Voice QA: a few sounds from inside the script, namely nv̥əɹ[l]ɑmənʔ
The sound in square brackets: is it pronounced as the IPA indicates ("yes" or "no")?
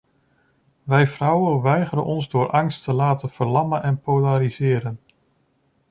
yes